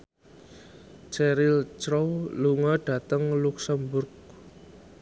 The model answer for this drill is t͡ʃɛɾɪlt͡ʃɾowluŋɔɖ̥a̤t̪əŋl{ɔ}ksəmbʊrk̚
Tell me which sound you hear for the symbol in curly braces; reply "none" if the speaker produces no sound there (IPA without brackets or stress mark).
u